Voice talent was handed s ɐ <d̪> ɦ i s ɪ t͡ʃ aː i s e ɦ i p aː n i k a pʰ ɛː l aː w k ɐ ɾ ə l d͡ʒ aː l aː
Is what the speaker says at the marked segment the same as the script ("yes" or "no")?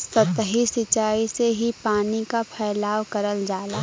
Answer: no